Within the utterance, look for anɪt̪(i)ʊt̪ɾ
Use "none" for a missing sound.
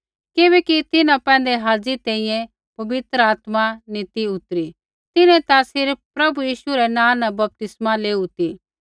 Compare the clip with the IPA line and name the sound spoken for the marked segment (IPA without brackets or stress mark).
i